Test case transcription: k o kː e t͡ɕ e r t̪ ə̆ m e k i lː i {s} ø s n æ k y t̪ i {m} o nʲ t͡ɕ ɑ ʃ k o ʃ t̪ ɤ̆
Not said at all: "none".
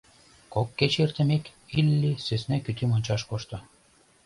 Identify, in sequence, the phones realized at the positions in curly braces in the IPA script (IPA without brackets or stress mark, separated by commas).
s, m